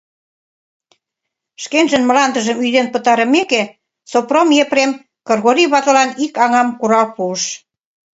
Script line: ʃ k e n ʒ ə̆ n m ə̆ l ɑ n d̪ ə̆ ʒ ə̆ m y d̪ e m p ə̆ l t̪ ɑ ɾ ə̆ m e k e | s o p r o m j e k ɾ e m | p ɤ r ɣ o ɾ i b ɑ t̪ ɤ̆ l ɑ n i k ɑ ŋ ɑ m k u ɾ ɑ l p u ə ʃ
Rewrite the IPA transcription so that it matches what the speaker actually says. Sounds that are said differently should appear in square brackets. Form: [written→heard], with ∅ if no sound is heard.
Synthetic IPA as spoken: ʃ k e n ʒ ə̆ n m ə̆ l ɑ n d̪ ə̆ ʒ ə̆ m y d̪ e [m→n] p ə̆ [l→∅] t̪ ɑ ɾ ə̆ m e k e | s o p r o m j e [k→p] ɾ e m | [p→k] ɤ r ɣ o ɾ i [b→β] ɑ t̪ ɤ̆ l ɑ n i k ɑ ŋ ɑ m k u ɾ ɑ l p u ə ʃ